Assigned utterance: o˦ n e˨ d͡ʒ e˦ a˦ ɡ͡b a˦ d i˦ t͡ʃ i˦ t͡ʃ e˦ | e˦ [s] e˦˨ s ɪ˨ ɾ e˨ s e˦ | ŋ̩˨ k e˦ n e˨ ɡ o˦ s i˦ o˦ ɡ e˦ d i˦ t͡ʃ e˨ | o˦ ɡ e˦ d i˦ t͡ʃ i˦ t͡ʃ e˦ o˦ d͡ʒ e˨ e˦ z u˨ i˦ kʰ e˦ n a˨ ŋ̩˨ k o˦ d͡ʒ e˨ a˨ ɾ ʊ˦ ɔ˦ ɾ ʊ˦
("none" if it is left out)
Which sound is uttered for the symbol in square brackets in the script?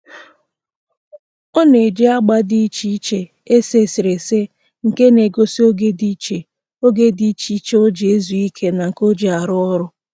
s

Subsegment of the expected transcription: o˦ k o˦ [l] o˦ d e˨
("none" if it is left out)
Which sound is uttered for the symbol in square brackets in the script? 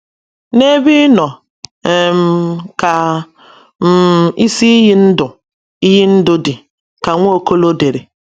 l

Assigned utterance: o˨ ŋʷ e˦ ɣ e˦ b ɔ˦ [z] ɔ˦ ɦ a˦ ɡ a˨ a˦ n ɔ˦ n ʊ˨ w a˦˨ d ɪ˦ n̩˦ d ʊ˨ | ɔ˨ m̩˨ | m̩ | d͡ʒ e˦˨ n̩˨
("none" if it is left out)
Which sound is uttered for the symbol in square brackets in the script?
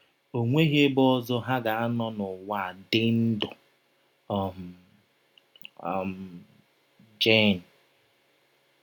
z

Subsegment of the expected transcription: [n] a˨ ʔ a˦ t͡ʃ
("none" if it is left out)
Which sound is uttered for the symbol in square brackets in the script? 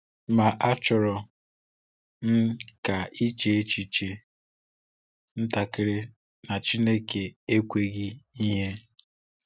m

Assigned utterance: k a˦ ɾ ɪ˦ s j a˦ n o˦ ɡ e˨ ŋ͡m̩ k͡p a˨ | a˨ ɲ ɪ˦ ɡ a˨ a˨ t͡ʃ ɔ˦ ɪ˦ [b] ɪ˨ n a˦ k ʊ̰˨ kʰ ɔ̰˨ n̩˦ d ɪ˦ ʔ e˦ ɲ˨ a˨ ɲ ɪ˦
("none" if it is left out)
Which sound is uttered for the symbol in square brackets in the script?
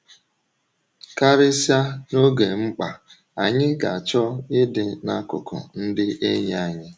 d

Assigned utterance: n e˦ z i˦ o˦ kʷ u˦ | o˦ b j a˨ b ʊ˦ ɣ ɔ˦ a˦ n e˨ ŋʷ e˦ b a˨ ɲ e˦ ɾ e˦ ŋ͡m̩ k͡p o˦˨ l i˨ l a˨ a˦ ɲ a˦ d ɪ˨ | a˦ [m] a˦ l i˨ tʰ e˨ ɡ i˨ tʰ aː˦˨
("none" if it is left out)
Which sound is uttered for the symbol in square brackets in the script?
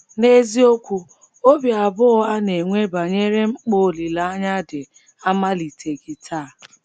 m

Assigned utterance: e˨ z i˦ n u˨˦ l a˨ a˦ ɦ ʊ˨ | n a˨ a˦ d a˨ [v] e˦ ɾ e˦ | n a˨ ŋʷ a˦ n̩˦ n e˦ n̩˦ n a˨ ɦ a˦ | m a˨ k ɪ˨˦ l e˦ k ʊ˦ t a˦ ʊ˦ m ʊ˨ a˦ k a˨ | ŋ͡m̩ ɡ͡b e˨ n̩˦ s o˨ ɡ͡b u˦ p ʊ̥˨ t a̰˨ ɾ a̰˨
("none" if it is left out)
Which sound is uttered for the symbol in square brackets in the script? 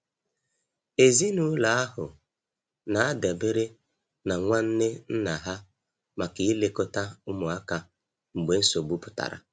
b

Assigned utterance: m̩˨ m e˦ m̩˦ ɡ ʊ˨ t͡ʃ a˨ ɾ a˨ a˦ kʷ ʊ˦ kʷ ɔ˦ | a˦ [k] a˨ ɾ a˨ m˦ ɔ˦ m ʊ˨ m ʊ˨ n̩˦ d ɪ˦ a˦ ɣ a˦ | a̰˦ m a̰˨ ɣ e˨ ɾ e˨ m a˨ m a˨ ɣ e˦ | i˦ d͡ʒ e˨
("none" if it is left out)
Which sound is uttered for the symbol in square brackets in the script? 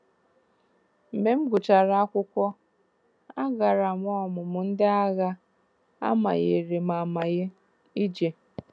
ɡ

